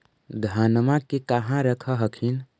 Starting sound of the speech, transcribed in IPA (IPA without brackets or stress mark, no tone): d̪ʱ